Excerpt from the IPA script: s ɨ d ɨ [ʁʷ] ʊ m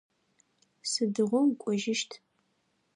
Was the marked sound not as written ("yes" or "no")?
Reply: no